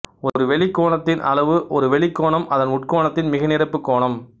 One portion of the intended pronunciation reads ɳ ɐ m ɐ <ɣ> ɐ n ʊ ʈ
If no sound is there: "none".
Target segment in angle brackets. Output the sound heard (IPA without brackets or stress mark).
ð